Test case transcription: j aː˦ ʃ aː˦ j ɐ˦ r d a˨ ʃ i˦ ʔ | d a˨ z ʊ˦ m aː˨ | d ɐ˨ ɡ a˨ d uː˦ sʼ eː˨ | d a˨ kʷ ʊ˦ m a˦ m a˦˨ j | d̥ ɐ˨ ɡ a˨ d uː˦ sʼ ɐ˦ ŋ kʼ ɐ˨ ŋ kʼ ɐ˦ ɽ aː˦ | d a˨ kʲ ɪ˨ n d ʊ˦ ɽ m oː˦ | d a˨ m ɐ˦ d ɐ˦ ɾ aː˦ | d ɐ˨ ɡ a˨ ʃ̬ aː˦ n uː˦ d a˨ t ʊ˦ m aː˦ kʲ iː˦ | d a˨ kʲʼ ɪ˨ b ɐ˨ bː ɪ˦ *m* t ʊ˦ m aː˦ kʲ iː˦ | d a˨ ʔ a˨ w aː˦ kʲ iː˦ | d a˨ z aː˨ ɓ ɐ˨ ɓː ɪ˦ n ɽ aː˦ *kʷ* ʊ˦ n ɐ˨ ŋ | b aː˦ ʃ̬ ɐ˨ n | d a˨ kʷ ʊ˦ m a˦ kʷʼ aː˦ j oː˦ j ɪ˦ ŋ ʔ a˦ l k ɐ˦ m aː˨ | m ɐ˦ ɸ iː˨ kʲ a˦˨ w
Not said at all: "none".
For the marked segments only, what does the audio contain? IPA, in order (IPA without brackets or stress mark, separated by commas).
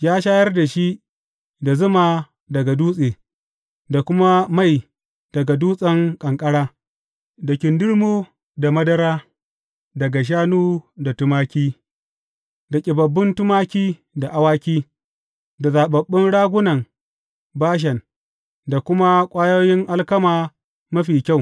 n, ɡʷ